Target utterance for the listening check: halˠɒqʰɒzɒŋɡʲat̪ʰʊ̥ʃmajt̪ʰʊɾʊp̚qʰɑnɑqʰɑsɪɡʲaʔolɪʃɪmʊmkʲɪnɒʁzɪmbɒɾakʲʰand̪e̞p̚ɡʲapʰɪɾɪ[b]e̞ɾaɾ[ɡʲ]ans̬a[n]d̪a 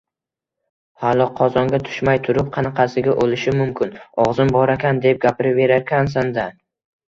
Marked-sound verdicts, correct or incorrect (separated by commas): incorrect, incorrect, correct